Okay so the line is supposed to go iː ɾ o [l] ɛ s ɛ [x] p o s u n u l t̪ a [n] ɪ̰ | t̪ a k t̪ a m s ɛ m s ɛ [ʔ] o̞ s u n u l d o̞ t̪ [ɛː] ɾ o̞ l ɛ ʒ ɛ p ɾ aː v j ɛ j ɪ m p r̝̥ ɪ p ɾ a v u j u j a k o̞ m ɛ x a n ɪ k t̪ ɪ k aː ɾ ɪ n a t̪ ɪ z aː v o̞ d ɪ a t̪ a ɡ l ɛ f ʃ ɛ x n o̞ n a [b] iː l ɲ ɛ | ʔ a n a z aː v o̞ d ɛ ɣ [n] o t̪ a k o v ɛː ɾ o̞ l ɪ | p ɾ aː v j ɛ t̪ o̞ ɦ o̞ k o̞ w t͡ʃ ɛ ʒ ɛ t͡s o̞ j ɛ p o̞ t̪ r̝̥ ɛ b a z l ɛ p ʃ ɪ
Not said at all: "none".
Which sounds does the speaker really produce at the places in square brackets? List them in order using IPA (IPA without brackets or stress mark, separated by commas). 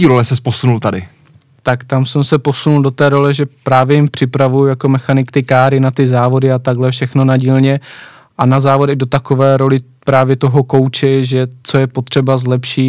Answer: l, s, d, p, ɛː, ɟ, d